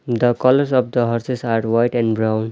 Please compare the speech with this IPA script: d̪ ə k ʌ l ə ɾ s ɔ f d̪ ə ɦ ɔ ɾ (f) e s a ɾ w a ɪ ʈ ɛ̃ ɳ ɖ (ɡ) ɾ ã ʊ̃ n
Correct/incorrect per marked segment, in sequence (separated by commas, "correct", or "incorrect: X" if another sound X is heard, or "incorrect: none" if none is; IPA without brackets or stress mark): incorrect: s, incorrect: b